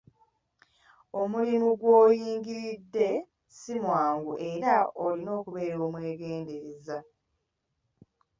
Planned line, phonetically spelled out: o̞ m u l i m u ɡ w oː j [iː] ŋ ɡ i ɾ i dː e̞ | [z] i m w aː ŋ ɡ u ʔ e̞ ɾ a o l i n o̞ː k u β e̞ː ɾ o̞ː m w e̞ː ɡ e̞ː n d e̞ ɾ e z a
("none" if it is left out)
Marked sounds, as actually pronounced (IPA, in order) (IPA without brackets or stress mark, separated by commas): iː, s